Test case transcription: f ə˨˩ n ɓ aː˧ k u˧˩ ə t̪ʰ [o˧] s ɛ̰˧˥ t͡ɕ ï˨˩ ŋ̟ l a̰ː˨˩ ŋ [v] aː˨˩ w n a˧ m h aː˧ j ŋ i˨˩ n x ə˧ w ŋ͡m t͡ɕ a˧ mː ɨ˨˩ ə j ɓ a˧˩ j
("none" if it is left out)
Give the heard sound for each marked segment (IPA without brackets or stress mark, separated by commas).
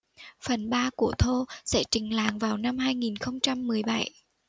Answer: o˧, v